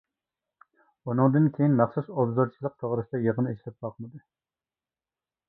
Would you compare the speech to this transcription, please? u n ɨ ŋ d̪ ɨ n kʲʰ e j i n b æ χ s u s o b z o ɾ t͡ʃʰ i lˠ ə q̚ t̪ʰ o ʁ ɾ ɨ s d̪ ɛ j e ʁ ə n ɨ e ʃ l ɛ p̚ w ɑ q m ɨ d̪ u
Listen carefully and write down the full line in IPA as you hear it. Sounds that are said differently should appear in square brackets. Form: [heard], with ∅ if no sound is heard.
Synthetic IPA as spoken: u n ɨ ŋ d̪ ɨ n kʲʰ e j i n [m] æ χ s u s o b z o ɾ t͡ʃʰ i lˠ ə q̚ t̪ʰ o ʁ ɾ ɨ s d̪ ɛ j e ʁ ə n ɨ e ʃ l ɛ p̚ [b] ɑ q m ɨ d̪ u